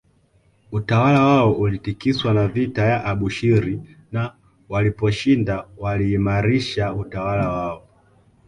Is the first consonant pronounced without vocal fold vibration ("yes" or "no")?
yes